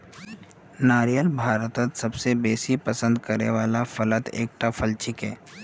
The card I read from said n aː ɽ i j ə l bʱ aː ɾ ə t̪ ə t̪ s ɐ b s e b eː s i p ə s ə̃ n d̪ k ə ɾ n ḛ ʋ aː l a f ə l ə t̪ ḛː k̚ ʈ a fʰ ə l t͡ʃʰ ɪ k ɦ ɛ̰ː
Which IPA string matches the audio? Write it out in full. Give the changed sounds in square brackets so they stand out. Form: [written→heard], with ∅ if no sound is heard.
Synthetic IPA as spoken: n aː [ɽ→ɾ] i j ə l bʱ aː ɾ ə t̪ ə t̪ s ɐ b s e b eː s i p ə s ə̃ n d̪ k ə ɾ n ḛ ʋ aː l a f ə l ə t̪ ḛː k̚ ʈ a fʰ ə l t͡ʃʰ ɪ k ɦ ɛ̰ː